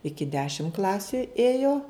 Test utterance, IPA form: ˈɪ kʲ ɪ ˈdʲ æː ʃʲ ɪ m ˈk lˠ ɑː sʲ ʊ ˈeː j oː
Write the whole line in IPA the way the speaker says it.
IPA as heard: ˈɪ kʲ ɪ ˈdʲ æː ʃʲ ɪ m ˈk lˠ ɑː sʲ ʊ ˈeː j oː